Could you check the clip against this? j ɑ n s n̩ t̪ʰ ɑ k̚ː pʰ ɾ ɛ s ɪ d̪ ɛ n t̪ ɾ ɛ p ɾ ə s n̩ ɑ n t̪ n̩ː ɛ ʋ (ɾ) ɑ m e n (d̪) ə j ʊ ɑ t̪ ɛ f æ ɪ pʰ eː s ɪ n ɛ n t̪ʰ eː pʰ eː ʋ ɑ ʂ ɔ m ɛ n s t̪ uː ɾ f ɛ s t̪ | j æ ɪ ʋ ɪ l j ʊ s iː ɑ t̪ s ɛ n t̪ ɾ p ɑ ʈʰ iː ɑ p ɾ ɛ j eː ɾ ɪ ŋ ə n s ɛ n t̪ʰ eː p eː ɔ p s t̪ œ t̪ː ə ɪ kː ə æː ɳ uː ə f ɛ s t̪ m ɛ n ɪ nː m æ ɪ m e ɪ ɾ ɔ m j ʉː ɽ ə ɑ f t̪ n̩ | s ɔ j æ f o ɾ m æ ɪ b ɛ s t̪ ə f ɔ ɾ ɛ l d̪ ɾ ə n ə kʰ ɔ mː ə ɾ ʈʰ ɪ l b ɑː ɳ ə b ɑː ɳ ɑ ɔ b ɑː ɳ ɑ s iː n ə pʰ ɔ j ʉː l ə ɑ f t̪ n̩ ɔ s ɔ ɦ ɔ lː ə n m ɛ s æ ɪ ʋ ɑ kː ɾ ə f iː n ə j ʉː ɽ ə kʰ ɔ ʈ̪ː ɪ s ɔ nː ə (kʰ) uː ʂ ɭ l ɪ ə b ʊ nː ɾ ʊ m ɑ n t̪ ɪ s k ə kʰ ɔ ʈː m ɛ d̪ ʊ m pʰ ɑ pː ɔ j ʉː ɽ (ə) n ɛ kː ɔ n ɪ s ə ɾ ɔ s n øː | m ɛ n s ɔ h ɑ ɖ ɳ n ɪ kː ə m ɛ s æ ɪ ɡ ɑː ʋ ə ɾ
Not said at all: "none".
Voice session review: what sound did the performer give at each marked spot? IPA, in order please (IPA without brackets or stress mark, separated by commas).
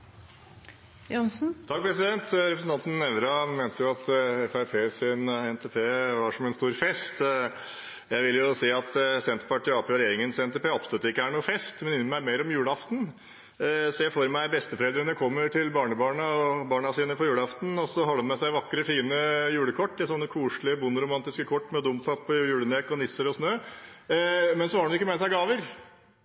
ɾ, t̪, kʰ, ə